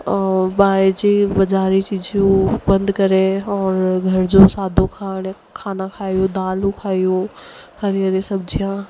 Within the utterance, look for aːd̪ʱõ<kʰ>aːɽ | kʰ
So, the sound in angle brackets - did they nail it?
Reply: yes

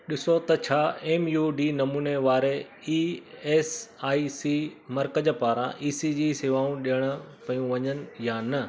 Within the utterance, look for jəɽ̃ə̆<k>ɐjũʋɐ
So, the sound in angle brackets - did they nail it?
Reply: no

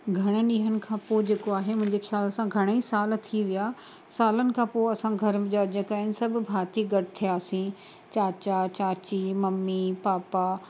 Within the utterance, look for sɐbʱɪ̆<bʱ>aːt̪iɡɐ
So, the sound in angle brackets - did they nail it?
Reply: yes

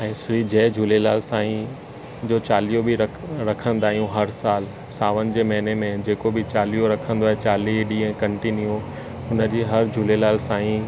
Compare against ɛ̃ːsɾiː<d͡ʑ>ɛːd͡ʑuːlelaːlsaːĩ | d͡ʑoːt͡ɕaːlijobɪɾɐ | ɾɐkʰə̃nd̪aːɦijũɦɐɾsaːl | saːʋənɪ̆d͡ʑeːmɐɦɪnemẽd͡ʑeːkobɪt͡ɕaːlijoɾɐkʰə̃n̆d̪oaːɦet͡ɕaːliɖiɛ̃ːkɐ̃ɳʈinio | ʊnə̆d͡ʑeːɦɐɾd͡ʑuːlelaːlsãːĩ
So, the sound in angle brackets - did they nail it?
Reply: yes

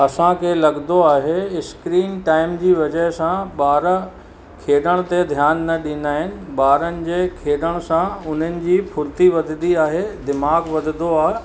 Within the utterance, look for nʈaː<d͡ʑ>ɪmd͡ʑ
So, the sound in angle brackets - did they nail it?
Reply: no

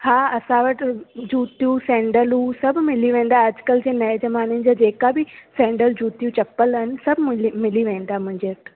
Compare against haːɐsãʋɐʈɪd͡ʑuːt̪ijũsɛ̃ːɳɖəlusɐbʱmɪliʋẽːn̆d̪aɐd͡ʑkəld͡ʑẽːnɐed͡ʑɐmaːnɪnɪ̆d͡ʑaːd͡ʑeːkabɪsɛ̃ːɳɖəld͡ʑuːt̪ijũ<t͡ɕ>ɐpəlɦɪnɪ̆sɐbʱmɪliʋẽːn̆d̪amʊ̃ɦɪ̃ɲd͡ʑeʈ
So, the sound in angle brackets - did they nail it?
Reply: yes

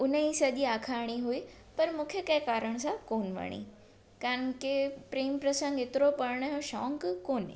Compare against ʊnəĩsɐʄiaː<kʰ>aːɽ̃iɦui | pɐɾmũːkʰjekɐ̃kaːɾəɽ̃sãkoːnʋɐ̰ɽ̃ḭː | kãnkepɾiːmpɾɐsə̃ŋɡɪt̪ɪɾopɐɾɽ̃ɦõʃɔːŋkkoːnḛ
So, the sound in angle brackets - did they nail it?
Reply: yes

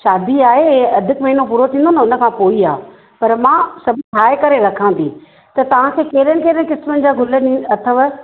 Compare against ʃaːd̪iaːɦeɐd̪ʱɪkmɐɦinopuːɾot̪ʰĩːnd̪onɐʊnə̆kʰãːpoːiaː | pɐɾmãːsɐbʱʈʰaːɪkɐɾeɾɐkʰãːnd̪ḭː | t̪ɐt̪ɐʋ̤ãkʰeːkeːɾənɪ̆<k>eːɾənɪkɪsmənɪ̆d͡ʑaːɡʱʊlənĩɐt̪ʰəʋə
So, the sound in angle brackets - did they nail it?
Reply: yes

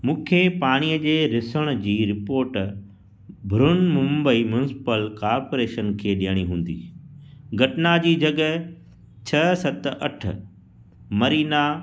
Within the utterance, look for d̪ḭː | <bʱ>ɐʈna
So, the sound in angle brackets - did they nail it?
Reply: no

